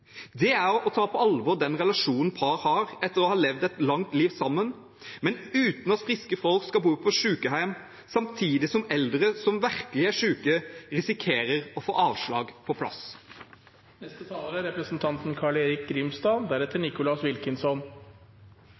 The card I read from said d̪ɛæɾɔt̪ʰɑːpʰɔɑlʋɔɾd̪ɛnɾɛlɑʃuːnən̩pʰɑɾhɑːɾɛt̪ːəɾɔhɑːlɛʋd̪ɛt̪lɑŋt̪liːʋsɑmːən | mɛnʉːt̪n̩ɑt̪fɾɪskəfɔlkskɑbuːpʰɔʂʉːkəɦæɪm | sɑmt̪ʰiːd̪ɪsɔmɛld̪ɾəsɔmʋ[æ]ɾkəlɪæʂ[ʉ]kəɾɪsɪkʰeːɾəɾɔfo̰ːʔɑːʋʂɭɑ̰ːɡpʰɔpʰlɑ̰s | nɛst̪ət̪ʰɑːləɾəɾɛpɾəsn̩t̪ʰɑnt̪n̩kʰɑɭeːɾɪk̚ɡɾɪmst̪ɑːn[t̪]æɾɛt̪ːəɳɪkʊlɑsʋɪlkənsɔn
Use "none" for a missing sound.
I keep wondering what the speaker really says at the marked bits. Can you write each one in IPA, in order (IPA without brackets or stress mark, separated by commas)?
æ, ʉː, d̪